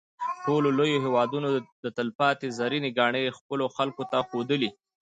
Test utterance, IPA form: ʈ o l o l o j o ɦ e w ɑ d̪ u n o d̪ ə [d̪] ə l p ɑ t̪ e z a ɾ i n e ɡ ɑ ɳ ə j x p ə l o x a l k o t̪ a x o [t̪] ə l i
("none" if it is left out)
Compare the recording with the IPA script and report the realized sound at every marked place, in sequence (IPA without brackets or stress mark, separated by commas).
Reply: t̪, d̪